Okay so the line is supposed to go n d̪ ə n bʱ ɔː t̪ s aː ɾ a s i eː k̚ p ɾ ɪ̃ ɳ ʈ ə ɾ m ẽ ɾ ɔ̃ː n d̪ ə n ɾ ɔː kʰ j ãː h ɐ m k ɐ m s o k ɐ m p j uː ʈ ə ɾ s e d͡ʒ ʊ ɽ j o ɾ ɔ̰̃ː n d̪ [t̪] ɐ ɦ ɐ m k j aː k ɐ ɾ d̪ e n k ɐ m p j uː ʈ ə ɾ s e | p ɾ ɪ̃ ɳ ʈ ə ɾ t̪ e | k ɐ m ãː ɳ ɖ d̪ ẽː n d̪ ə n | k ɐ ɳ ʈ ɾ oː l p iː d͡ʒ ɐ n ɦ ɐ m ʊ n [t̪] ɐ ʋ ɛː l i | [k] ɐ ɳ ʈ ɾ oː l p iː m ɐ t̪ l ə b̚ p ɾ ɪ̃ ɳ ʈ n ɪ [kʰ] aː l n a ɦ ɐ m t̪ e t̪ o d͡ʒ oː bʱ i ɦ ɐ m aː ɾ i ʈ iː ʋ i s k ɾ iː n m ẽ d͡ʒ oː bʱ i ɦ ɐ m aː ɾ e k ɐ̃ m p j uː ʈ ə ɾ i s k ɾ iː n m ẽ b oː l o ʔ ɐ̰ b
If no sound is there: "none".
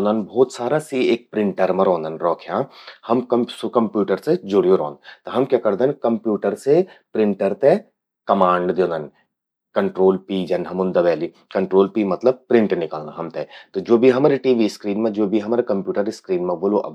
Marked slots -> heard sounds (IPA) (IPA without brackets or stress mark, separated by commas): t̪, d̪, k, k